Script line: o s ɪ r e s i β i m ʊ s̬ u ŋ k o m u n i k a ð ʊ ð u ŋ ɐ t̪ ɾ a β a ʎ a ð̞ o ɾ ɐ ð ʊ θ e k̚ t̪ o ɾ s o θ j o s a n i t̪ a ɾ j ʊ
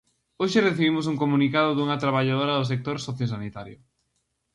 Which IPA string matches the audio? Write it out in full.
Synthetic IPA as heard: o ʃ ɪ r e θ i β i m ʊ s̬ u ŋ k o m u n i k a ð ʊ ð u ŋ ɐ t̪ ɾ a β a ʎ a ð̞ o ɾ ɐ ð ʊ s e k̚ t̪ o ɾ s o θ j o s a n i t̪ a ɾ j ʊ